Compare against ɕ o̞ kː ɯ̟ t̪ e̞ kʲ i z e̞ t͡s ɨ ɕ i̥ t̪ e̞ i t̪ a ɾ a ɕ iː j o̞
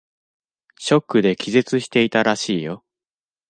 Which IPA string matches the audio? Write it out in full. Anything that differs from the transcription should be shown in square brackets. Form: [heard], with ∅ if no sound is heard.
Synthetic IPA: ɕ o̞ kː ɯ̟ [d̪] e̞ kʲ i z e̞ t͡s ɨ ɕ i̥ t̪ e̞ i t̪ a ɾ a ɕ iː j o̞